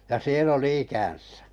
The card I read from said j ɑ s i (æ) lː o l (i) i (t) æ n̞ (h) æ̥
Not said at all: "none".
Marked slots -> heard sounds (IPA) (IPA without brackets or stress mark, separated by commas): e, i, k, s